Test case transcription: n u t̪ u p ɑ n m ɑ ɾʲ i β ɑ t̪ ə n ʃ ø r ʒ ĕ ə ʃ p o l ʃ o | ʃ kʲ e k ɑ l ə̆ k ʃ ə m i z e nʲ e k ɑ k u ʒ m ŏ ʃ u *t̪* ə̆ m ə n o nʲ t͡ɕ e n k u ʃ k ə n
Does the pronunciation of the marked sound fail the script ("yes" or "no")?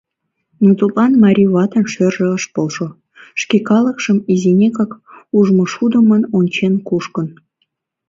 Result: yes